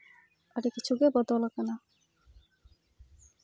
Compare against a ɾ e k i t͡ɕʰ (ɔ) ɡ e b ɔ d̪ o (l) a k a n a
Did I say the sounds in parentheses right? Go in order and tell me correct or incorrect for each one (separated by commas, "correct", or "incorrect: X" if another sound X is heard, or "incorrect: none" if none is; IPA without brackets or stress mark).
incorrect: u, correct